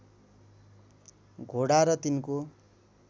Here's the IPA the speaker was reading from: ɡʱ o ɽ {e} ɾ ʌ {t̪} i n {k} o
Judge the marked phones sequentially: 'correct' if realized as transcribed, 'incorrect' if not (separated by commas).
incorrect, correct, correct